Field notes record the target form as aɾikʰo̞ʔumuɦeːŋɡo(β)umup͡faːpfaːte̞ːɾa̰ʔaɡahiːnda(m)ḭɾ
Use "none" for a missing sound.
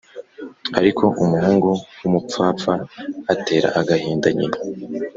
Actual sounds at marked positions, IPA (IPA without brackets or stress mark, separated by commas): w, ɲ